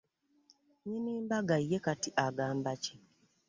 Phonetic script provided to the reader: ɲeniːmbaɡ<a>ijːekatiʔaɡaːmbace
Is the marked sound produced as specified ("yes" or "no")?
yes